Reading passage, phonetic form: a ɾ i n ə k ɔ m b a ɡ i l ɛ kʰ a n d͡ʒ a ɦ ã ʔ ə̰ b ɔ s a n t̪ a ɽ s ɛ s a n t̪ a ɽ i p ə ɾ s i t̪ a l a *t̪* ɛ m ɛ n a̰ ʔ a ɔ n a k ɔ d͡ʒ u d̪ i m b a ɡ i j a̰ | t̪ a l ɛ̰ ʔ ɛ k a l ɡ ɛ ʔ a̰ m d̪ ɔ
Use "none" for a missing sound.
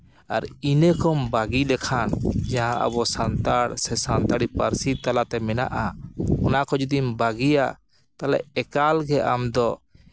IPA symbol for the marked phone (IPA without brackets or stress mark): t̪